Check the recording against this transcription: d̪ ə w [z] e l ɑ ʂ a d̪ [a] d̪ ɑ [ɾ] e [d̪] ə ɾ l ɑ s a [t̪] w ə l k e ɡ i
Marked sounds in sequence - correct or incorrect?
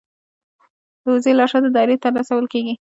correct, incorrect, correct, incorrect, incorrect

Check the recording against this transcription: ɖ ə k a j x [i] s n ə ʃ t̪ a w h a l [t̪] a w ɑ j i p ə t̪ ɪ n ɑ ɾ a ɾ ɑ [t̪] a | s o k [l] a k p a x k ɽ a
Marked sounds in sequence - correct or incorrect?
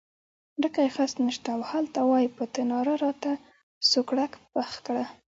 incorrect, correct, correct, incorrect

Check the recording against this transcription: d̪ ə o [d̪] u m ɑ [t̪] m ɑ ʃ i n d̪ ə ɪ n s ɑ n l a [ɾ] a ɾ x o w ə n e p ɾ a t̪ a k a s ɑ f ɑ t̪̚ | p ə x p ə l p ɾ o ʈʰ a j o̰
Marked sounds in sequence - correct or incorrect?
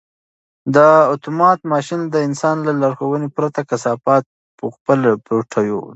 incorrect, correct, incorrect

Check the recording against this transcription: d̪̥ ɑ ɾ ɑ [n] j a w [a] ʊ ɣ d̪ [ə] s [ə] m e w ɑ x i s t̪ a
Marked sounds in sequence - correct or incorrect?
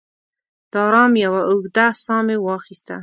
incorrect, correct, incorrect, incorrect

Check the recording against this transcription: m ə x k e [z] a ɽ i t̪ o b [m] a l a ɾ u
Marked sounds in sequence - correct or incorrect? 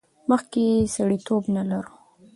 incorrect, incorrect

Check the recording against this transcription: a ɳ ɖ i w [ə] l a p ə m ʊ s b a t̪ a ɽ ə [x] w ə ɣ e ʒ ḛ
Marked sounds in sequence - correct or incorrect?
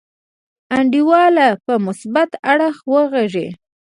incorrect, correct

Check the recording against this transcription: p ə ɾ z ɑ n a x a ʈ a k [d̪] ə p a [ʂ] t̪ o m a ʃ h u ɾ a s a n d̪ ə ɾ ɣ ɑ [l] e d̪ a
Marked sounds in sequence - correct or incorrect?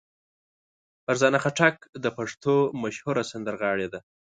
correct, correct, incorrect

